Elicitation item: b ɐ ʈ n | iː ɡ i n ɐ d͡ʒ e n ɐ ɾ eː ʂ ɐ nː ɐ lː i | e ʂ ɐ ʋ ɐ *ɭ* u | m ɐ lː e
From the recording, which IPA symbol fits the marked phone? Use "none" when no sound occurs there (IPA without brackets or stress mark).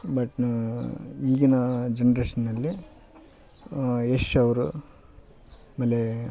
ɾ